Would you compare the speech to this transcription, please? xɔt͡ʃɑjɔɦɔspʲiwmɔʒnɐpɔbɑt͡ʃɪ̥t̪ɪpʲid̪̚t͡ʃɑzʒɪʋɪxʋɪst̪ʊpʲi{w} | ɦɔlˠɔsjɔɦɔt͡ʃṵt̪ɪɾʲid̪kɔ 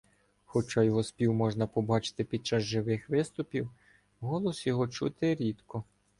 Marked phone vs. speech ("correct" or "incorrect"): correct